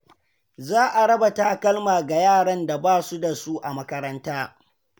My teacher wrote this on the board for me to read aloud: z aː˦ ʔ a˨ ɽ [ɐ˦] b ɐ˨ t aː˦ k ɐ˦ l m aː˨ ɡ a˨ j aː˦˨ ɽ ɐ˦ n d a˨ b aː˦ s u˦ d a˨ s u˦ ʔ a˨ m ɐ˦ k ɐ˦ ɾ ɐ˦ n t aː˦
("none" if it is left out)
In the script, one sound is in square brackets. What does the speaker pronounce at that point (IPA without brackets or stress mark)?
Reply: ɐ˦